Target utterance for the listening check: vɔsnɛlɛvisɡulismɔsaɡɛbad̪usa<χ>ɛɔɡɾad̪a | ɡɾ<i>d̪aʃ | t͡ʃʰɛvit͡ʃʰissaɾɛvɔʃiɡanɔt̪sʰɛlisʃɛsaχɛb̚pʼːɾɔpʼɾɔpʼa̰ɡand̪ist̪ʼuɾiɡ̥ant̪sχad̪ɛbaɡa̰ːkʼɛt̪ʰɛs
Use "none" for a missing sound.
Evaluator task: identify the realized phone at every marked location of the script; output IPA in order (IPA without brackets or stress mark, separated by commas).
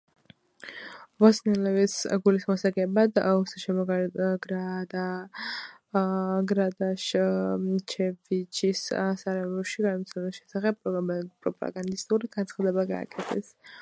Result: ʃ, a